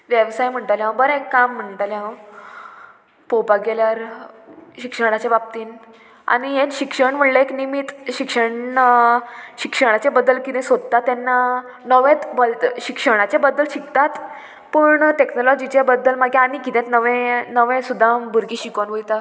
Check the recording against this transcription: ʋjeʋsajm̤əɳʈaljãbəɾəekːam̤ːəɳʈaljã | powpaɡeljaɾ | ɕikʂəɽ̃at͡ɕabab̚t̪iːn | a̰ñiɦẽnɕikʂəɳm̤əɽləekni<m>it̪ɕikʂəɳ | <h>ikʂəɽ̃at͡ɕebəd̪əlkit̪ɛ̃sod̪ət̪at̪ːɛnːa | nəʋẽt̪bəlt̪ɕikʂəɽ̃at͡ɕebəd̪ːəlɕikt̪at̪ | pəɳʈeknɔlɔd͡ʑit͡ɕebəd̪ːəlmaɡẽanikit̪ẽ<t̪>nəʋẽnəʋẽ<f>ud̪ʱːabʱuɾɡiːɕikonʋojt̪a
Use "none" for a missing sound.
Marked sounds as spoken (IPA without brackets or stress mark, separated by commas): m, ɕ, t̪, s